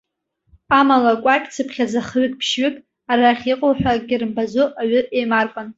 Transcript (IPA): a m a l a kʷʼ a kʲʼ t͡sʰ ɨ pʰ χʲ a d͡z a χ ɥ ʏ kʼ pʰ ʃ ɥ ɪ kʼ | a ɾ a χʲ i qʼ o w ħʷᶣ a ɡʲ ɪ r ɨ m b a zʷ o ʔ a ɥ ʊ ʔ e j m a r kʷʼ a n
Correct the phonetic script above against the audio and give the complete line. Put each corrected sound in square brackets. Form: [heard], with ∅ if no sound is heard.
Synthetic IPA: a m a l a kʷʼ a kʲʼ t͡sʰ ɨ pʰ χʲ a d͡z a χ ɥ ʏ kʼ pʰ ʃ ɥ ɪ kʼ | a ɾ a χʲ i qʼ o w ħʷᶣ a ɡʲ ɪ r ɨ m b a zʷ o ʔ a ɥ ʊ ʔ e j m a r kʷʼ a n